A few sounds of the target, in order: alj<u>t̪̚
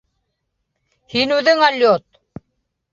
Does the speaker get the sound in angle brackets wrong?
yes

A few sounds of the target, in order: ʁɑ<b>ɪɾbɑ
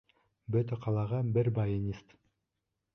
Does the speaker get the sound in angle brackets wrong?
no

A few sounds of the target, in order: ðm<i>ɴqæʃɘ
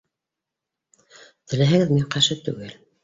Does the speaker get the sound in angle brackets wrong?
no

